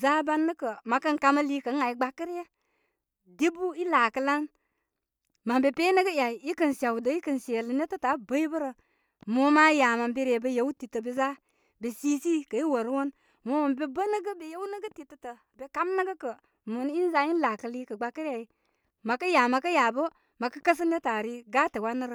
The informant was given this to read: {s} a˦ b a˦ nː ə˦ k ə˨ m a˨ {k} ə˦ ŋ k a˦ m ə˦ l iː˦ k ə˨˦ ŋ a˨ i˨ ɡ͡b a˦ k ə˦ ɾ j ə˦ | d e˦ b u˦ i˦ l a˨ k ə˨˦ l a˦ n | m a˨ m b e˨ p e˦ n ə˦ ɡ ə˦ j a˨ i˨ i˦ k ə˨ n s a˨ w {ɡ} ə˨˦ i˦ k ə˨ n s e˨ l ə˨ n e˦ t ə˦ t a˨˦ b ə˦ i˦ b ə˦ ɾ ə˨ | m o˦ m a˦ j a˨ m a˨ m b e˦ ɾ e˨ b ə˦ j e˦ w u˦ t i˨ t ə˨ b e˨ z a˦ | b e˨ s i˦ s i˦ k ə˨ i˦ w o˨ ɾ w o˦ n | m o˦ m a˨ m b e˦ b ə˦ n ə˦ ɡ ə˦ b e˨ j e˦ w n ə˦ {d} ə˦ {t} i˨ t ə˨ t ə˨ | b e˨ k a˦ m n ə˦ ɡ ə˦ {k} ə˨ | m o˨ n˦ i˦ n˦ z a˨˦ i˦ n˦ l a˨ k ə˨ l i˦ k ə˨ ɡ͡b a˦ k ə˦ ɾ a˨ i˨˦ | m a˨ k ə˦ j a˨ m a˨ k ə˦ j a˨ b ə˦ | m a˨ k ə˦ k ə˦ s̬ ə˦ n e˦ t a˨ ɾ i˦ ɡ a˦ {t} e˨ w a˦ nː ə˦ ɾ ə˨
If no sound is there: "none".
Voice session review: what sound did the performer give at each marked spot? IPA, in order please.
z, k, d, ɡ, t, k, t

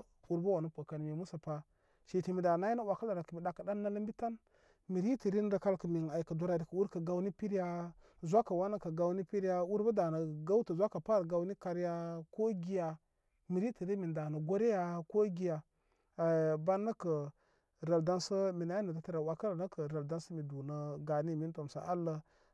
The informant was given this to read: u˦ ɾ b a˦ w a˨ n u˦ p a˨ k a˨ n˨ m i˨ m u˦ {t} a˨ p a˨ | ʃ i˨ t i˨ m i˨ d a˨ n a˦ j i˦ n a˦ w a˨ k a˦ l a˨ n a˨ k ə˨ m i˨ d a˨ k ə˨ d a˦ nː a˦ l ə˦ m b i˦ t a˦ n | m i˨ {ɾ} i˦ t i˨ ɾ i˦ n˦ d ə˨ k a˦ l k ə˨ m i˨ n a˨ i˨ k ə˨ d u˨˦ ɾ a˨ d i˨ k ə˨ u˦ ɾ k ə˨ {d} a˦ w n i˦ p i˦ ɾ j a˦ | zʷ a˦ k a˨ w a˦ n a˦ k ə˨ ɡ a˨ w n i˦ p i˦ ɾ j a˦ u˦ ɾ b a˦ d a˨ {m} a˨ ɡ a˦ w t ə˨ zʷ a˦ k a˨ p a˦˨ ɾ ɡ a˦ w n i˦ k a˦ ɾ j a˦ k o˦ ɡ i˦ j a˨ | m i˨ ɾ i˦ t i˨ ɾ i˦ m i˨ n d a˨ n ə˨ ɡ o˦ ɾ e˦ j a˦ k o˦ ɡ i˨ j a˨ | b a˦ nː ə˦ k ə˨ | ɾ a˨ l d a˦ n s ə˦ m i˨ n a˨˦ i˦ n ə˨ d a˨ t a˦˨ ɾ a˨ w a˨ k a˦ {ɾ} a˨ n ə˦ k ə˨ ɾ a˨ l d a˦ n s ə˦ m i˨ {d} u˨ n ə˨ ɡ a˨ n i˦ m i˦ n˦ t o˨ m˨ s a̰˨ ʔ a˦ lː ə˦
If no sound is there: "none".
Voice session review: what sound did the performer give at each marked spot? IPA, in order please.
s, ɾ, ɡ, n, l, d

